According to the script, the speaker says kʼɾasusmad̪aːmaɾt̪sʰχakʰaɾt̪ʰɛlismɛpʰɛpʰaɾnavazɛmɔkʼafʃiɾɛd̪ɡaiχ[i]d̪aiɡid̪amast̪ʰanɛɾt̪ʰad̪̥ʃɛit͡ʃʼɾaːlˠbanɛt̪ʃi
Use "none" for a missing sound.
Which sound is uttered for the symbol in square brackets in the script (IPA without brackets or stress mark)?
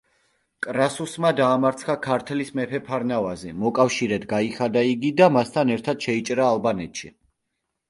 a